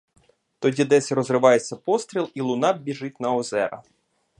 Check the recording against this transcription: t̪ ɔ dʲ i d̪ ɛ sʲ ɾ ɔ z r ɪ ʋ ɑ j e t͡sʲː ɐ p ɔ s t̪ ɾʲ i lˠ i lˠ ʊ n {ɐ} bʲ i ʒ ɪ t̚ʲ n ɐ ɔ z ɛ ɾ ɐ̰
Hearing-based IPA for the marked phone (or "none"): ɑ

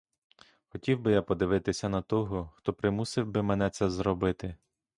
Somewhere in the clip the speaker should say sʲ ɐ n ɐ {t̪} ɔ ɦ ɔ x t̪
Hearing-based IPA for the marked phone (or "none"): t̪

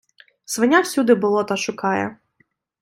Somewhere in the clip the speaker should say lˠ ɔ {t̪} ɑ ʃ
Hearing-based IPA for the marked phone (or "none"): t̪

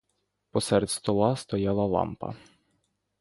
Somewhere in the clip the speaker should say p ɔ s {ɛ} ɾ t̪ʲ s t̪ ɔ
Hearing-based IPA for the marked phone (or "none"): ɛ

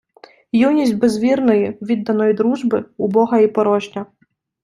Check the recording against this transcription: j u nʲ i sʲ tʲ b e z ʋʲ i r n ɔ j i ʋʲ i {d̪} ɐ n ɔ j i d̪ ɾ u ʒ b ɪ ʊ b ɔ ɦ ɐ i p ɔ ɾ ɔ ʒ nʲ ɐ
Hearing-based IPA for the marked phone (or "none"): d̪ː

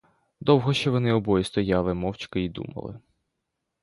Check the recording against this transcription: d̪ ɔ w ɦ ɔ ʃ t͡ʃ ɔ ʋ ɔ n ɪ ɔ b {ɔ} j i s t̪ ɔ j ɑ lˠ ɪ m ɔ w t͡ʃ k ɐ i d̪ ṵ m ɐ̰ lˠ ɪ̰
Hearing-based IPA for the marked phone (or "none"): ɔ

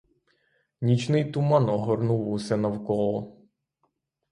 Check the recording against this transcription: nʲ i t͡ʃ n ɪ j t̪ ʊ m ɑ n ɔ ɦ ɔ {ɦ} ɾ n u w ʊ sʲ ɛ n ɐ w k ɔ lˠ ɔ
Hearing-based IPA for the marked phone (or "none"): none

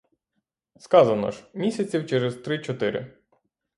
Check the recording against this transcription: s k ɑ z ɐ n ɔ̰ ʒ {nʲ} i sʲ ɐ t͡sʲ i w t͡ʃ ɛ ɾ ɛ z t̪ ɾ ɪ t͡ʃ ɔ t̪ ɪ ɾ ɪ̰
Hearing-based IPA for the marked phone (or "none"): mʲ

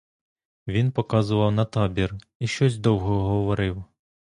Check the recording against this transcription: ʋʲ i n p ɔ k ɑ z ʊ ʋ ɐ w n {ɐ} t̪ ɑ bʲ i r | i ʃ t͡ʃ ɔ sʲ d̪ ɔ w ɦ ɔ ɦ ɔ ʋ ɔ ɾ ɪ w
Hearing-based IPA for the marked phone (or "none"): ɐ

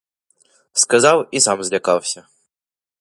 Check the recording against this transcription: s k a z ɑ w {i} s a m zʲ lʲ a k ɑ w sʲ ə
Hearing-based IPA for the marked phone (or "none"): i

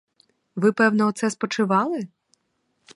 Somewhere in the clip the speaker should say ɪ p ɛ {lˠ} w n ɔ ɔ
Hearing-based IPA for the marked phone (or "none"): none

